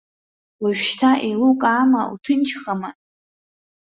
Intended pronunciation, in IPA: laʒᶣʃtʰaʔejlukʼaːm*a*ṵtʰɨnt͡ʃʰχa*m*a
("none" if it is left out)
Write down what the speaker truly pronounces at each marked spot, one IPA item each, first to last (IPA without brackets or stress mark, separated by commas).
a, m